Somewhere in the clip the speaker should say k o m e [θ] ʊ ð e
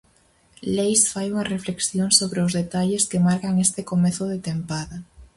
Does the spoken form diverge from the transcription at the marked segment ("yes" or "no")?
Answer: no